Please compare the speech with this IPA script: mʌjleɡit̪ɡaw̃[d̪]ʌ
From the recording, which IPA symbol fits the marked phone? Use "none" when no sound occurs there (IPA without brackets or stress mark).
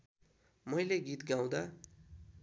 d̪